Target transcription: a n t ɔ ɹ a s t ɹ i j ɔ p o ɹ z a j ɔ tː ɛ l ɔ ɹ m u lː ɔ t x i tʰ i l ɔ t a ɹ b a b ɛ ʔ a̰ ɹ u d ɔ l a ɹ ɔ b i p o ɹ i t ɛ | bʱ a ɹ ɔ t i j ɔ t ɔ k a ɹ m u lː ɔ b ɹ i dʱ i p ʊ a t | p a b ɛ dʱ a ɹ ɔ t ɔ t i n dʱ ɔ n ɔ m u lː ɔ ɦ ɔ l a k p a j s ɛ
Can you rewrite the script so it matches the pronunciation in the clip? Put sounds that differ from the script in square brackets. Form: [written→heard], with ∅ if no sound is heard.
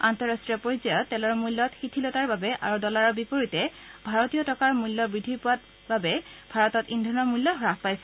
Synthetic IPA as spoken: a n t ɔ ɹ a s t ɹ i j ɔ p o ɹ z a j ɔ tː ɛ l ɔ ɹ m u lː ɔ t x i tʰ i l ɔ t a ɹ b a b ɛ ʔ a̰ ɹ u d ɔ l a ɹ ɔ b i p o ɹ i t ɛ | bʱ a ɹ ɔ t i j ɔ t ɔ k a ɹ m u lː ɔ b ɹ i dʱ i p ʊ a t | [p→b] a b ɛ [dʱ→bʱ] a ɹ ɔ t ɔ t i n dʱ ɔ n ɔ m u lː ɔ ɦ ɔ [l→ɹ] a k p a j s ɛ